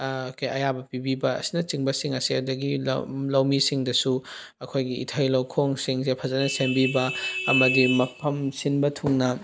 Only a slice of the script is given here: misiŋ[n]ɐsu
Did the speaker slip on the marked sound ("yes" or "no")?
yes